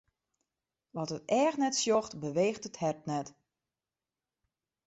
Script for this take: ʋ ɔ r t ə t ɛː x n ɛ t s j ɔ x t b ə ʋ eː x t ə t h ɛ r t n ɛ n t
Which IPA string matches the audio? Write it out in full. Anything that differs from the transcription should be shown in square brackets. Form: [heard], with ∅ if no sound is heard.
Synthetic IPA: ʋ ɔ [∅] t ə t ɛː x n ɛ t s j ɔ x t b ə ʋ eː x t ə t h ɛ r t n ɛ [∅] t